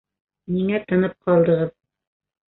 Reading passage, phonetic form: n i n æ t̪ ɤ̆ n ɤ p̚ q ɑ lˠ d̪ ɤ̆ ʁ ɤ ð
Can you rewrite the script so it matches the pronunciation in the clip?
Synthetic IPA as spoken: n i ŋ æ t̪ ɤ̆ n ɤ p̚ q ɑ lˠ d̪ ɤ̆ ʁ ɤ ð